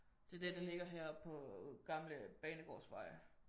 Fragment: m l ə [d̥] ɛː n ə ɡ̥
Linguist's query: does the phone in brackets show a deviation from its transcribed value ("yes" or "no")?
yes